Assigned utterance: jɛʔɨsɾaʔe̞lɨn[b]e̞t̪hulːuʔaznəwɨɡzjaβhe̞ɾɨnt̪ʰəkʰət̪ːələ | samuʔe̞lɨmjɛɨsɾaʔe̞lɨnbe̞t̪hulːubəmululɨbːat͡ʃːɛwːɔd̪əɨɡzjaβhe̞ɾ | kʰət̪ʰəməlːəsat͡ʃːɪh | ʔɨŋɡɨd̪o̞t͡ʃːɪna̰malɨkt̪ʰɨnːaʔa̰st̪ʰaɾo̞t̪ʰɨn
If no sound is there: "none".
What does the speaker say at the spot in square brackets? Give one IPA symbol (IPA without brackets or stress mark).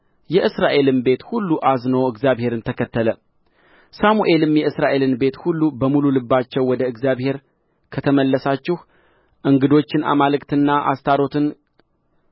b